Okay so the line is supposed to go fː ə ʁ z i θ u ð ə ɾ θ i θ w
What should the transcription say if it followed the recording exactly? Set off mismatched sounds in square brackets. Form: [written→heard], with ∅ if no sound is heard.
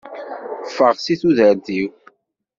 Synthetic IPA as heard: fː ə ʁ [z→s] i θ u ð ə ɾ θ i [θ→∅] w